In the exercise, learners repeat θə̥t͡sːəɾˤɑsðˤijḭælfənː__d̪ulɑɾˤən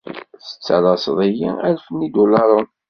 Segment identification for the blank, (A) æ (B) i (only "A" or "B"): B